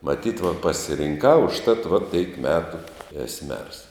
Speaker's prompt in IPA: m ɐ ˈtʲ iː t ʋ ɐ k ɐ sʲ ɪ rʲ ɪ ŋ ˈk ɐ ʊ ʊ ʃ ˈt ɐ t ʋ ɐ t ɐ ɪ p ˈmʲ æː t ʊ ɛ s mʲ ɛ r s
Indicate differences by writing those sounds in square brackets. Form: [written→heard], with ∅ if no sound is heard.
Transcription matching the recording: m ɐ ˈtʲ iː t ʋ ɐ [k→p] ɐ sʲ ɪ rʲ ɪ ŋ ˈk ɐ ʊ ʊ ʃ ˈt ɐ t ʋ ɐ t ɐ ɪ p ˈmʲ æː t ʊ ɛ s mʲ ɛ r s